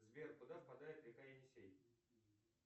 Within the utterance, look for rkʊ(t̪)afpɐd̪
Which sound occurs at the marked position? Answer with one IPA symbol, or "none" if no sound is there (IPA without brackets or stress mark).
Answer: d̪